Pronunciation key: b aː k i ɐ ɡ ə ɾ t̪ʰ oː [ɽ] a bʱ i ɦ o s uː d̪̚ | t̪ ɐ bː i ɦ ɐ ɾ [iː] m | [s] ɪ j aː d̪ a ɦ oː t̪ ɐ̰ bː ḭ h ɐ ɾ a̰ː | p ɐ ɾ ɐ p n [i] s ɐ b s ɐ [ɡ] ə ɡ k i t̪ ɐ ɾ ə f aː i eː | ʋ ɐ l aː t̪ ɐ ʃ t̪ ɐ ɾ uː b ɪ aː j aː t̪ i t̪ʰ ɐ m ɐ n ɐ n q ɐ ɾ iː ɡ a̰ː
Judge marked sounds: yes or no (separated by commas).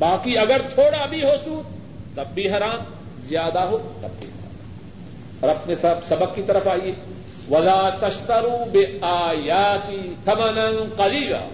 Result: yes, no, no, no, no